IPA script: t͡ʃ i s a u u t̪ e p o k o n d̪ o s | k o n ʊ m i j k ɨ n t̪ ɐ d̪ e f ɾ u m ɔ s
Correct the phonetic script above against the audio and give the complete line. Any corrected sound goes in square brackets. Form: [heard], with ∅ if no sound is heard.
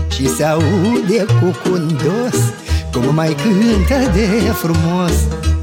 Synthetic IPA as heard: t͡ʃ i s a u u [d̪] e [k] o k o n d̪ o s | k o [m] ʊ m [a] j k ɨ n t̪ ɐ d̪ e f ɾ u m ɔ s